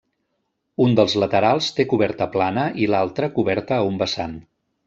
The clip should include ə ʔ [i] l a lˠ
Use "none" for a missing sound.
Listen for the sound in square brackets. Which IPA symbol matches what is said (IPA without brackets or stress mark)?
i